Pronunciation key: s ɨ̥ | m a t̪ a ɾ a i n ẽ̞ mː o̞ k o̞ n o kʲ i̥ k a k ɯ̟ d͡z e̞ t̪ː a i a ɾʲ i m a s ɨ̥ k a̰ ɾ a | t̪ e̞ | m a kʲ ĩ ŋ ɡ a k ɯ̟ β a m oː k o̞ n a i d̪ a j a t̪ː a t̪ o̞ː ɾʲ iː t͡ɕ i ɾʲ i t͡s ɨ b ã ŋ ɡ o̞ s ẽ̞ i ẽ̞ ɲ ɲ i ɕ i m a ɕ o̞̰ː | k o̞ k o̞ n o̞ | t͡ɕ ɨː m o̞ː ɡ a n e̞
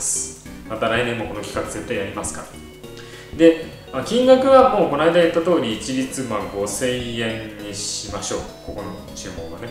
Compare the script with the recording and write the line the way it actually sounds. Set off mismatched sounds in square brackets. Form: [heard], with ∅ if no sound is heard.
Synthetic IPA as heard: s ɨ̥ | m a t̪ a ɾ a i n ẽ̞ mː o̞ k o̞ n o kʲ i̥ k a k ɯ̟ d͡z e̞ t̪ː a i a ɾʲ i m a s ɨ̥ k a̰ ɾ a | [d̪] e̞ | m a kʲ ĩ ŋ ɡ a k ɯ̟ β a m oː k o̞ n a i d̪ a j a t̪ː a t̪ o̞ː ɾʲ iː t͡ɕ i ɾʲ i t͡s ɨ [m] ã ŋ ɡ o̞ s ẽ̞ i ẽ̞ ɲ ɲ i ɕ i m a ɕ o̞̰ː | k o̞ k o̞ n o̞ | t͡ɕ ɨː m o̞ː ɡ a n e̞